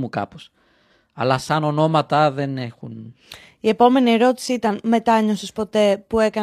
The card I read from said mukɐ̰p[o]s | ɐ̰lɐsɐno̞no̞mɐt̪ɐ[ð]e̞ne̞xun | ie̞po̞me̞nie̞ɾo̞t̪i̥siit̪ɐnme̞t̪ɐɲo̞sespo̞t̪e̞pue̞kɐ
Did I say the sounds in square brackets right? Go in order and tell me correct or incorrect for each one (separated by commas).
correct, correct